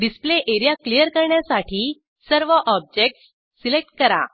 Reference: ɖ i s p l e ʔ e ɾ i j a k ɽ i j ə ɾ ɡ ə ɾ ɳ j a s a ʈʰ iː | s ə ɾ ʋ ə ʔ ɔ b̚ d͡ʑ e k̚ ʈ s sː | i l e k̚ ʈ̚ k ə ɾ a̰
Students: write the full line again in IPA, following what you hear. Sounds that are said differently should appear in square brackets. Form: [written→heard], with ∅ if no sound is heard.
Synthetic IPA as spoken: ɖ i s p l e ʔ e ɾ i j a k [ɽ→l] i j ə ɾ [ɡ→k] ə ɾ ɳ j a s a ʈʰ iː | s ə ɾ ʋ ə ʔ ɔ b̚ d͡ʑ e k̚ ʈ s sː | i l e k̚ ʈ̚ k ə ɾ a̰

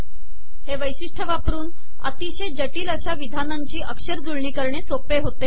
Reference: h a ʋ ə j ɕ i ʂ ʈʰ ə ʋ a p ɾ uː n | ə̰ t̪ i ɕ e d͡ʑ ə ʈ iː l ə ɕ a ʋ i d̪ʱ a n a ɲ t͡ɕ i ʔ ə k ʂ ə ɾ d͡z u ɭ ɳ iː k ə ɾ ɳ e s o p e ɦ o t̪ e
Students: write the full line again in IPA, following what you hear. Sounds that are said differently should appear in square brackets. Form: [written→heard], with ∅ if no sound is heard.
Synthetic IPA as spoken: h [a→e] ʋ ə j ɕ i ʂ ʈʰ ə ʋ a p ɾ uː n | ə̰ t̪ i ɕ e d͡ʑ ə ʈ iː l ə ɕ a ʋ i d̪ʱ a n a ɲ t͡ɕ [i→iː] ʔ ə k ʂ ə ɾ d͡z u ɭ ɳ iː k ə ɾ ɳ e s o p e ɦ o t̪ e

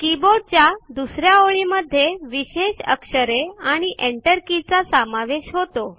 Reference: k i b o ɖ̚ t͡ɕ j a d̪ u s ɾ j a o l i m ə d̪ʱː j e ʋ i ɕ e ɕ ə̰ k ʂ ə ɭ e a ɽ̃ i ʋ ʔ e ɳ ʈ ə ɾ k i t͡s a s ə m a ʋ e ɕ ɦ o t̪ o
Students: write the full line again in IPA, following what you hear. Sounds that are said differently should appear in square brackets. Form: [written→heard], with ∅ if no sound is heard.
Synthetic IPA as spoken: k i b o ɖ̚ t͡ɕ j a d̪ u s ɾ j a o [l→ɭ] i m ə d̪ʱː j e ʋ i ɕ e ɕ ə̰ k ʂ ə [ɭ→ɾ] e a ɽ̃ i [ʋ→∅] ʔ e ɳ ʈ ə ɾ k i t͡s a s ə m a ʋ e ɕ ɦ o t̪ o

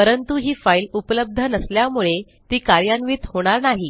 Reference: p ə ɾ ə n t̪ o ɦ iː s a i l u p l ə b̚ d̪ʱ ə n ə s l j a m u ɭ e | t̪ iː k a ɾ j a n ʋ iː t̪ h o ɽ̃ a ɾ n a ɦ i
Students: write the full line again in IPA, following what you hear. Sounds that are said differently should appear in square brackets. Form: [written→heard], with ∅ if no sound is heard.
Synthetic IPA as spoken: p ə ɾ ə n t̪ [o→u] ɦ iː [s→f] a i l u p l ə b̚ d̪ʱ ə n ə s l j a m u ɭ e | t̪ iː k a ɾ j a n ʋ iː t̪ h o ɽ̃ a ɾ n a ɦ i

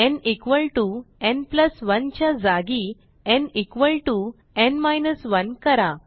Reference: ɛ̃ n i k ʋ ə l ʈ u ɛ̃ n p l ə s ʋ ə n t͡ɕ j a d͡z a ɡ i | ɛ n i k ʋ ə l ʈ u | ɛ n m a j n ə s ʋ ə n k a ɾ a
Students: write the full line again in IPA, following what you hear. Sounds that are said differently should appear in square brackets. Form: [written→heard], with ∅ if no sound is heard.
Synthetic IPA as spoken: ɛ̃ n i k ʋ ə l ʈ u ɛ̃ n p l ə s ʋ ə n t͡ɕ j a d͡z a ɡ i | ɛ n i k ʋ ə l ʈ u | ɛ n m a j n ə s ʋ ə n k [a→ə] ɾ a

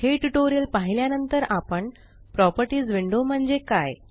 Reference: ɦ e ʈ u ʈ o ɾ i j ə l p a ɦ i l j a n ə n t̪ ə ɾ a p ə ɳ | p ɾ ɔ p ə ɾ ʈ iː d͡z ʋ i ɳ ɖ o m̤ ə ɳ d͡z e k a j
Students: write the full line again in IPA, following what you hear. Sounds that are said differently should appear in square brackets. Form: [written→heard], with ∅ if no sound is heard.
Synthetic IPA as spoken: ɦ e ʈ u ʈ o ɾ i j ə l p a ɦ i l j a n ə n t̪ ə ɾ a p ə ɳ | p ɾ ɔ p ə ɾ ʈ iː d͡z ʋ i ɳ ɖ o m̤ ə ɳ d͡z e k a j

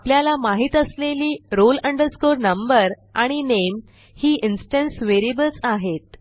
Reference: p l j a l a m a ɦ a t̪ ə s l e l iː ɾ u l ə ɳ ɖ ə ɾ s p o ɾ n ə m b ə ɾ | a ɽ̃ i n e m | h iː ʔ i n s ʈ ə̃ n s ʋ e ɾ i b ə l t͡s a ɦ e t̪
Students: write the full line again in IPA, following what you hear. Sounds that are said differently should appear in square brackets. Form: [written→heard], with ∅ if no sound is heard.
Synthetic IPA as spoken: p l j a l a m a ɦ [a→i] t̪ ə s l e l iː ɾ [u→o] l ə ɳ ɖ ə ɾ s [p→k] o ɾ n ə m b ə ɾ | a ɽ̃ i n e m | h iː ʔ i n s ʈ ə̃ n s ʋ e ɾ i b ə l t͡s a ɦ e t̪

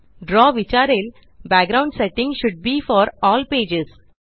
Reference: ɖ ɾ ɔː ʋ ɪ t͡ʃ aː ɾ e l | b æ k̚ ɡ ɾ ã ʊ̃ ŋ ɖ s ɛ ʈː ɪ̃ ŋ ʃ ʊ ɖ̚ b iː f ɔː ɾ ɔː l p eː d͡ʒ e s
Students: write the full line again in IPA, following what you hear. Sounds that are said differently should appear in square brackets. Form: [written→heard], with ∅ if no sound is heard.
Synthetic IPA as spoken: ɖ ɾ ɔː ʋ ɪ t͡ʃ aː ɾ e l | b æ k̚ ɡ ɾ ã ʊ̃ [ŋ→ɳ] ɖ s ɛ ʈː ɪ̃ ŋ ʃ ʊ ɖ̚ b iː f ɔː ɾ ɔː l p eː d͡ʒ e s

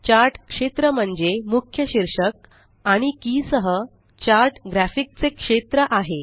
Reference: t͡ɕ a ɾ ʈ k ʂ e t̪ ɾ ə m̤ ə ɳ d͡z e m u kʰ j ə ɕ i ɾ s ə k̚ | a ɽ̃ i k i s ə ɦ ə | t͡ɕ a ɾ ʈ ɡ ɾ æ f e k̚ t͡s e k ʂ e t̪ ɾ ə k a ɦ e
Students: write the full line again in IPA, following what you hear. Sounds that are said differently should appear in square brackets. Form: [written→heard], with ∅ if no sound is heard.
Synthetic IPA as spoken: t͡ɕ a ɾ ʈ k ʂ e t̪ ɾ ə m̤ ə ɳ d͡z e m u kʰ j ə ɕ i ɾ [s→ʂ] ə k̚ | a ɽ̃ i k i s ə ɦ ə | t͡ɕ a ɾ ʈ ɡ ɾ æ f [e→i] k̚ t͡s e k ʂ e t̪ ɾ ə [k→ʔ] a ɦ e

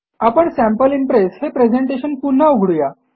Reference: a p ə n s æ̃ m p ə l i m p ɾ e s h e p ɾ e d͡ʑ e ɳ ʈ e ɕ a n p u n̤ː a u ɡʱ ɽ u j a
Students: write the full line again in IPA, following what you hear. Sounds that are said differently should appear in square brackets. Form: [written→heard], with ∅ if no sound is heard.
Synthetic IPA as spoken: a p ə [n→ɳ] s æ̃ m p ə l i m p ɾ e s h e p ɾ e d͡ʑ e ɳ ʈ e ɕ [a→ə] n p u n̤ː a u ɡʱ ɽ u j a

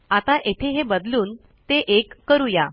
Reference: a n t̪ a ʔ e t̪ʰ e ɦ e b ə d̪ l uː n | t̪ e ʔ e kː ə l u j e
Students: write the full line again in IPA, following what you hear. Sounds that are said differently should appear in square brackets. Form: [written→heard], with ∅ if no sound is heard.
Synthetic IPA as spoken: a [n→∅] t̪ a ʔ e t̪ʰ e ɦ e b ə d̪ l uː n | t̪ e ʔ e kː ə [l→ɾ] u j [e→a]

